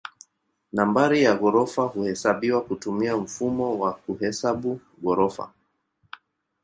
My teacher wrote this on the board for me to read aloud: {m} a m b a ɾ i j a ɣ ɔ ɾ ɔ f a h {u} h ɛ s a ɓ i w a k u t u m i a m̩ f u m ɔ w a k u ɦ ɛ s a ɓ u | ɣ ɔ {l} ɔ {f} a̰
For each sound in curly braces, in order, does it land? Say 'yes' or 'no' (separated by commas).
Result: no, yes, no, yes